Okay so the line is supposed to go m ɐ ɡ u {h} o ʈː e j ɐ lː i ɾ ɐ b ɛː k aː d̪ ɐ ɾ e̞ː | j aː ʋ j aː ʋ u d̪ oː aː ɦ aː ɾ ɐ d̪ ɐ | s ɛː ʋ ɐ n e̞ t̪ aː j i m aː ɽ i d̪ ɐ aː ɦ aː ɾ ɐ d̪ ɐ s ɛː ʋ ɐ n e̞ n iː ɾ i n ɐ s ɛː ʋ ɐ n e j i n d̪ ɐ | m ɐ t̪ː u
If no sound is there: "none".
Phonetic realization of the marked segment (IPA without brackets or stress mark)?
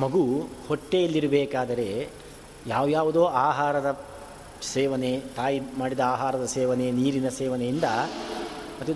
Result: h